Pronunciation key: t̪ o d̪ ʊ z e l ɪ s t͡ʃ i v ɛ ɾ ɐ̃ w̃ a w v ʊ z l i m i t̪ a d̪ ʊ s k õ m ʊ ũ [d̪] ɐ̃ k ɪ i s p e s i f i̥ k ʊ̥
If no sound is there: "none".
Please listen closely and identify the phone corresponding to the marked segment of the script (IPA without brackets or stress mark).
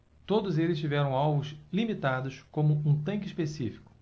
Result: t̪